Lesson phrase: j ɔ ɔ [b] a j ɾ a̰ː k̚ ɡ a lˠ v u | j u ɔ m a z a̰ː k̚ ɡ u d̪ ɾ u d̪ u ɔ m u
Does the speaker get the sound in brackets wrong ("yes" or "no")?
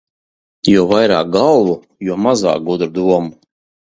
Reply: yes